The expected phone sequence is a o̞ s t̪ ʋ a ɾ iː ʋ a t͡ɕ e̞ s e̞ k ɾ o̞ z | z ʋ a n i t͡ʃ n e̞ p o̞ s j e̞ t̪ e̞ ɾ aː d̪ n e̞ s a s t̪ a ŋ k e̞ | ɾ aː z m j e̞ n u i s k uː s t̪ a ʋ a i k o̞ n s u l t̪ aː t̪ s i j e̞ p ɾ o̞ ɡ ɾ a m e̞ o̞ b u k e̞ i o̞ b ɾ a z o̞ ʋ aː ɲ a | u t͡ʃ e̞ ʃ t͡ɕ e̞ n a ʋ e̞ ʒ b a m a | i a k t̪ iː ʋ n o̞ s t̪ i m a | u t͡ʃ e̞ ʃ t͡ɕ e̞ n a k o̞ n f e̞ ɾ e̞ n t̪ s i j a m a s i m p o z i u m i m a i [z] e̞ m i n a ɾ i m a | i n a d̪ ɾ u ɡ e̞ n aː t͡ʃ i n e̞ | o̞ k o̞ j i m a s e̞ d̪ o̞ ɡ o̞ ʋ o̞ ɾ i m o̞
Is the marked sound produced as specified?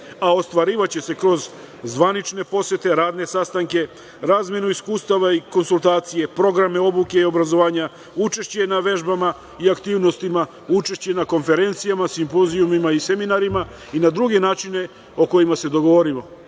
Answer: no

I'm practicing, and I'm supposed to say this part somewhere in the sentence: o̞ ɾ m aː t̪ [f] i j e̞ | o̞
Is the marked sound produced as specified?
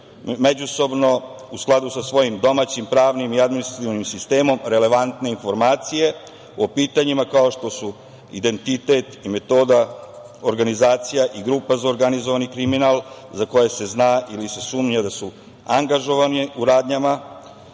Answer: no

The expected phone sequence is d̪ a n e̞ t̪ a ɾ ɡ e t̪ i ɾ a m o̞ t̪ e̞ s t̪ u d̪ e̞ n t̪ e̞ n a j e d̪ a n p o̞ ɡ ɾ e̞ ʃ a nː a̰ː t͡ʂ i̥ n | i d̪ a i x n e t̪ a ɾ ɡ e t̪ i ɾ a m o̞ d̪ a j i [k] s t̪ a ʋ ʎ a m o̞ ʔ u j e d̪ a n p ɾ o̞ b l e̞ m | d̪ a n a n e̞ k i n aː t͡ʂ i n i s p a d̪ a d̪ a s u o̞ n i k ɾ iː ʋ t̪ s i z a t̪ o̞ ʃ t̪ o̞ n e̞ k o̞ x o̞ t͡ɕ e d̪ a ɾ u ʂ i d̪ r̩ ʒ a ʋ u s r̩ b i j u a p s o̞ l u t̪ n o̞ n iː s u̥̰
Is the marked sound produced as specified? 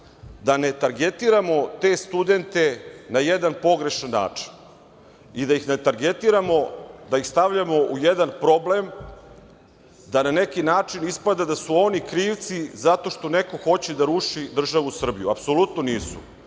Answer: no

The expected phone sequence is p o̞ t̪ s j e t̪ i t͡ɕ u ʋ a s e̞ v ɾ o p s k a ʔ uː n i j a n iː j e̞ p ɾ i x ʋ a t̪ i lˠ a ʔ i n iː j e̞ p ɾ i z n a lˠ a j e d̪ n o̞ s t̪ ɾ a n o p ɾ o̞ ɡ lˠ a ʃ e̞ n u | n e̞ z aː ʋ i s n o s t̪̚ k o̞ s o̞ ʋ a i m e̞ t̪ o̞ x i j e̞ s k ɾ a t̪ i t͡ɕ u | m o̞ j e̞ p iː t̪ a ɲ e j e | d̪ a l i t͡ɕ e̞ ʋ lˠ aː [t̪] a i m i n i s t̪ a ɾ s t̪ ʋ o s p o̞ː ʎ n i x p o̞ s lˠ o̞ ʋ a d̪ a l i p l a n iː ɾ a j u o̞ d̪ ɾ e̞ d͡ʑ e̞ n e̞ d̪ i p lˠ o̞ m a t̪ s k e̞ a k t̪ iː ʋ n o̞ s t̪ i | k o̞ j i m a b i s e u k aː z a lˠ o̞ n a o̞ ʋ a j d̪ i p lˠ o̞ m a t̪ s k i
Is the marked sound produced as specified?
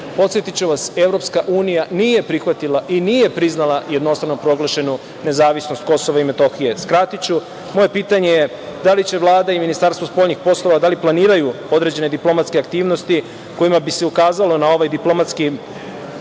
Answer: no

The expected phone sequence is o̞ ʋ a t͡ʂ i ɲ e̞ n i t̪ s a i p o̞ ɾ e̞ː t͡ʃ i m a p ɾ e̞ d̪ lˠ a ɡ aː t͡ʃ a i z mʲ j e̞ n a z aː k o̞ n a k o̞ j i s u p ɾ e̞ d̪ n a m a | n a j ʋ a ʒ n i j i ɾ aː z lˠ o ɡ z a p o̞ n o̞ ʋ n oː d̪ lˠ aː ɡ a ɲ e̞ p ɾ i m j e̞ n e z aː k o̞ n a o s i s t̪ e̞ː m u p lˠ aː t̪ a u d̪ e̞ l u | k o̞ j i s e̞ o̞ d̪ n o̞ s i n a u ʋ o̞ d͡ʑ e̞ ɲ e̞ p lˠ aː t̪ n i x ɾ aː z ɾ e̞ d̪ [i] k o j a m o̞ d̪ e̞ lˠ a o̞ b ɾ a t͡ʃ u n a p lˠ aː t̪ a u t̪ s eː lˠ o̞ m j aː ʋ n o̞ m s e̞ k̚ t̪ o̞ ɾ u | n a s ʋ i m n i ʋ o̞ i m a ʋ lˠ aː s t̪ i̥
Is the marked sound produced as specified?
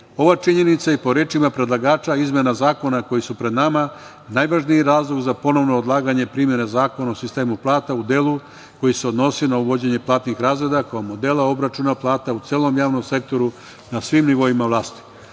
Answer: no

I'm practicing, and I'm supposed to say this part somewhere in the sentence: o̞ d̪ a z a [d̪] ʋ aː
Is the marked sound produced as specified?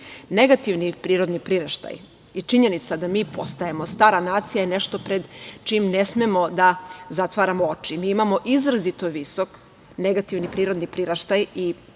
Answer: no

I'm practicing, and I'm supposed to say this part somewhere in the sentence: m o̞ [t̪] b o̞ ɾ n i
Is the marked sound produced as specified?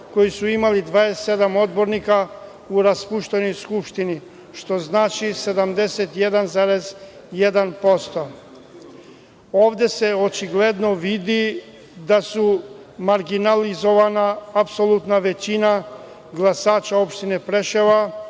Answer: no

